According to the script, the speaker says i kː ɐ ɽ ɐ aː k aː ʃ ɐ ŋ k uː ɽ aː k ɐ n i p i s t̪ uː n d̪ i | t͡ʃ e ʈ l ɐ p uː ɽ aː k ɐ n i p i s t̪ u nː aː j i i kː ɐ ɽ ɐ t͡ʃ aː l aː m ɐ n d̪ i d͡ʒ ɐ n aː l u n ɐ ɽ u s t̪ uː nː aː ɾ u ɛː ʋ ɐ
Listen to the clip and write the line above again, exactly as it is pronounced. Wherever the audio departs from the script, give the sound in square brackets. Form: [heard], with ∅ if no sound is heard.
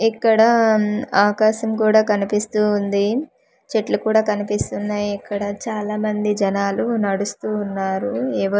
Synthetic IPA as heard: i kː ɐ ɽ ɐ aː k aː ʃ ɐ [m] k uː ɽ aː k ɐ n i p i s t̪ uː n d̪ i | t͡ʃ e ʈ l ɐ [k] uː ɽ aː k ɐ n i p i s t̪ u nː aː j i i kː ɐ ɽ ɐ t͡ʃ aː l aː m ɐ n d̪ i d͡ʒ ɐ n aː l u n ɐ ɽ u s t̪ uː nː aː ɾ u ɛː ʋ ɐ